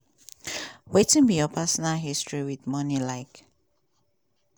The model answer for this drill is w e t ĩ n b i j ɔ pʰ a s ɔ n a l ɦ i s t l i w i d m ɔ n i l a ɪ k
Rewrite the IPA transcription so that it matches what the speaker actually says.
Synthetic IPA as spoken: w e t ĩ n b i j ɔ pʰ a s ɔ n a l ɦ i s t ɹ i w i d m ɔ n i l a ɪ k